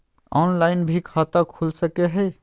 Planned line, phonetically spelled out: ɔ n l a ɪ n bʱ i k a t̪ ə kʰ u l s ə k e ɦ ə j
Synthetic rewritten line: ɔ n l a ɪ n bʱ i kʰ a t̪ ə kʰ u l s ə k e ɦ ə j

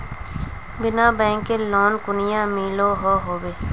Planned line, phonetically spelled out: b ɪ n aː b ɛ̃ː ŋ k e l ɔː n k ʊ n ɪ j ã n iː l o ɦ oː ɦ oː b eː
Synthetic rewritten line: b ɪ n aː b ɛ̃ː ŋ k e l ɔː n k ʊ n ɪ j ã m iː l o ɦ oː ɦ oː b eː

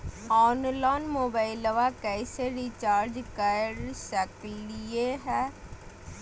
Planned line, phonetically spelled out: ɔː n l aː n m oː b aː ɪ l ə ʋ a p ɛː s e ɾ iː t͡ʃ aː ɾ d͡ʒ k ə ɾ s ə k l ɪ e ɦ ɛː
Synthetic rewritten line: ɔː n l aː n m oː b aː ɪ l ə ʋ a k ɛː s e ɾ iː t͡ʃ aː ɾ d͡ʒ k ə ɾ s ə k l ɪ e ɦ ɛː

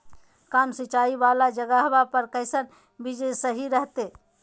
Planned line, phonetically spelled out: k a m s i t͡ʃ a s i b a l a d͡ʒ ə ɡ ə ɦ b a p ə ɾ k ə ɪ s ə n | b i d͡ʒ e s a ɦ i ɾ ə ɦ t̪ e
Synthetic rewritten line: k a m s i t͡ʃ a i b a l a d͡ʒ ə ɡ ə ɦ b a p ə ɾ k ə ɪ s ə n | b i d͡ʒ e s ə ɦ i ɾ ə ɦ t̪ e

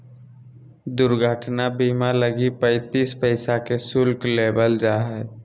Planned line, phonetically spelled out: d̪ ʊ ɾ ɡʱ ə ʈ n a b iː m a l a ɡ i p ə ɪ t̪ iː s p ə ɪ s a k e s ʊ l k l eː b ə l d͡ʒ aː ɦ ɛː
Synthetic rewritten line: d̪ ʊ ɾ ɡʱ ə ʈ n a b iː m a l ə ɡ i p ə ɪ t̪ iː s p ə ɪ s a k e s ʊ l k l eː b ə l d͡ʒ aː ɦ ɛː

